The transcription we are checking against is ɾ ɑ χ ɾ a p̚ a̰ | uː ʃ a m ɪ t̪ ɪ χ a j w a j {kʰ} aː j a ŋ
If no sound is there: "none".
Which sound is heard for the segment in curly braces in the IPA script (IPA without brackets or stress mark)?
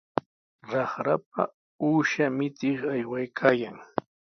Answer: kʰ